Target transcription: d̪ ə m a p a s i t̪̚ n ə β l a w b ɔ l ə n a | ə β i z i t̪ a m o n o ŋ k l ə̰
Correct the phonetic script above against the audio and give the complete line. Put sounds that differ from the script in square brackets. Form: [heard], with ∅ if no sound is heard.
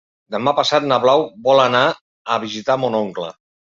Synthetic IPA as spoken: d̪ ə m a p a s [a] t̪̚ n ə β l a w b ɔ l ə n a | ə β i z i t̪ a m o n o ŋ k l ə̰